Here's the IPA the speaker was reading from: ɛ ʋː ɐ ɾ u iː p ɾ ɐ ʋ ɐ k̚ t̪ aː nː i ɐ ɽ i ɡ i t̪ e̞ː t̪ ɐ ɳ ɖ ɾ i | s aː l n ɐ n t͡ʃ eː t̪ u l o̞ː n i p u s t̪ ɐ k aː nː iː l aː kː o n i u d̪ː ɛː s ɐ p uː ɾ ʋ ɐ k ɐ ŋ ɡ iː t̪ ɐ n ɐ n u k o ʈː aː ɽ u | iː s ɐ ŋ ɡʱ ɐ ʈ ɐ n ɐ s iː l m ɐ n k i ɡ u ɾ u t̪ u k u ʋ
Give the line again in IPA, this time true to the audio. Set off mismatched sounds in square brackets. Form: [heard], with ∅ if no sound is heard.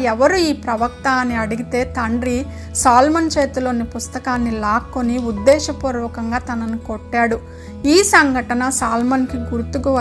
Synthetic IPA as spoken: ɛ [ʋ] ɐ ɾ u iː p ɾ ɐ ʋ ɐ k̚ t̪ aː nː i ɐ ɽ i ɡ i t̪ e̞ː t̪ ɐ ɳ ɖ ɾ i | s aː l [m] ɐ n t͡ʃ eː t̪ u l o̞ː n i p u s t̪ ɐ k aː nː [i] l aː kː o n i u d̪ː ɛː [ʃ] ɐ p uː ɾ ʋ ɐ k ɐ ŋ ɡ [aː] t̪ ɐ n ɐ n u k o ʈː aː ɽ u | iː s ɐ ŋ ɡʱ ɐ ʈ ɐ n ɐ s [aː] l m ɐ n k i ɡ u ɾ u t̪ u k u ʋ